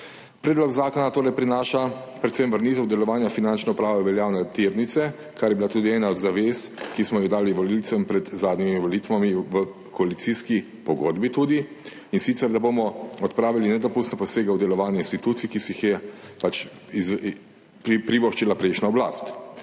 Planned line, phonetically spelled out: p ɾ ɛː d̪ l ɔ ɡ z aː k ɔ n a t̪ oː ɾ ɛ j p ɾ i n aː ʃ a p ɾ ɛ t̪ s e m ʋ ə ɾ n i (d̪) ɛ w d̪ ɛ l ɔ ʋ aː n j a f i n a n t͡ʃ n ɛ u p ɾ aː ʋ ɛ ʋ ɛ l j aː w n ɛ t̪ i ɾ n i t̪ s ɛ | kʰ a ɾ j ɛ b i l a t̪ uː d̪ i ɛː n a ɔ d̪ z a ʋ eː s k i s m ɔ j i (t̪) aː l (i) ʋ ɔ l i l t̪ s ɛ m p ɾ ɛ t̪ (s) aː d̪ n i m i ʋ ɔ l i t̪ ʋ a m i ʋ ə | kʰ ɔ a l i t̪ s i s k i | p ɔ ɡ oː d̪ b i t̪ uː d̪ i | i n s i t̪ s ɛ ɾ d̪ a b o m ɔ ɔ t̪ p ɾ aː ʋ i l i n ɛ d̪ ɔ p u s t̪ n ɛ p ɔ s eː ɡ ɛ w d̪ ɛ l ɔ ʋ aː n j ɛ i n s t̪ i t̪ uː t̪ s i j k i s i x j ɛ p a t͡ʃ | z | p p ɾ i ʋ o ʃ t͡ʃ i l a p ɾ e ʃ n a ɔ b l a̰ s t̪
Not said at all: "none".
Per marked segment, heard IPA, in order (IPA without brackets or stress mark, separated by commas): t̪, d̪, i, z